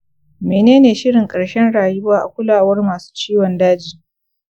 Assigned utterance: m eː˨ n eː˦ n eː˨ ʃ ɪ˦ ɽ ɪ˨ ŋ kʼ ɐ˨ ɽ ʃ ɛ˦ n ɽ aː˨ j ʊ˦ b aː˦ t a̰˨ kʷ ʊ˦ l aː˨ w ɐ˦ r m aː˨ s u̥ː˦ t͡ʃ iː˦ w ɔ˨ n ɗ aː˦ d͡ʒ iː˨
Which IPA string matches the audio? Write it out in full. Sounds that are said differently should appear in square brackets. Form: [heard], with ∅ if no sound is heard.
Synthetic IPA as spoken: m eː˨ n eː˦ n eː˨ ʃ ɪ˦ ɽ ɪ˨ ŋ kʼ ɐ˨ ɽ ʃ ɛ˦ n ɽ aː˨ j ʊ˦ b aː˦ [ʔ] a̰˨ kʷ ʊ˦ l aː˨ w ɐ˦ r m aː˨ s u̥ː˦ t͡ʃ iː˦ w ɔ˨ n [d] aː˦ d͡ʒ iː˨